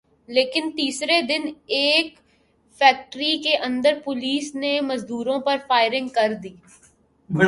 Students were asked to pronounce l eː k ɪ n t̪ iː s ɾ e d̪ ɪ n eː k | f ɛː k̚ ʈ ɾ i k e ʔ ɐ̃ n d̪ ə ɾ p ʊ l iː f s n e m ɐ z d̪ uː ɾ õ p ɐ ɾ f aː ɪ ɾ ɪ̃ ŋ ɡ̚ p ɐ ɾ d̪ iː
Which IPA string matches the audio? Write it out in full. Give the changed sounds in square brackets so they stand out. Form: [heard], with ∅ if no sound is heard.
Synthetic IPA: l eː k ɪ n t̪ iː s ɾ e d̪ ɪ n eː k | f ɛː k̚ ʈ ɾ i k e ʔ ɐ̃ n d̪ ə ɾ p ʊ l iː [∅] s n e m ɐ z d̪ uː ɾ õ p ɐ ɾ f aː ɪ ɾ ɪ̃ ŋ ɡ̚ [k] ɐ ɾ d̪ iː